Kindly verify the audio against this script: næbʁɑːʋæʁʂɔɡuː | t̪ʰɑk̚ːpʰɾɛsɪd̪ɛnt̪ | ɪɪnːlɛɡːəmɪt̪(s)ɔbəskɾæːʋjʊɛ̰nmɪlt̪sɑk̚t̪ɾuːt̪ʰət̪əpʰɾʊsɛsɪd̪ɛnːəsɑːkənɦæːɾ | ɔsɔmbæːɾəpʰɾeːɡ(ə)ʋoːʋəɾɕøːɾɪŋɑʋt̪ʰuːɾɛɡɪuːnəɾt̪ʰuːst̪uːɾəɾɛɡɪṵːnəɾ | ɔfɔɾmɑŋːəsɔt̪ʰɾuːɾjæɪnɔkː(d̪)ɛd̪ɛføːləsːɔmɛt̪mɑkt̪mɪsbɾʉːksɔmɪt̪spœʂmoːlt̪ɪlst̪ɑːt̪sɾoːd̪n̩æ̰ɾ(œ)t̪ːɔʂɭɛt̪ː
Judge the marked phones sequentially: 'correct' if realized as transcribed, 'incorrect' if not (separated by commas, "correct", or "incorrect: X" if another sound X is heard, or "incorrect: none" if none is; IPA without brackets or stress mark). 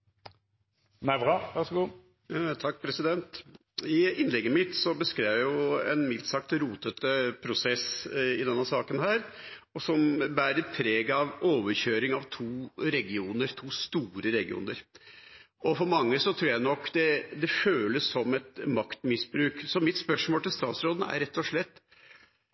correct, incorrect: ɑ, correct, incorrect: ɛ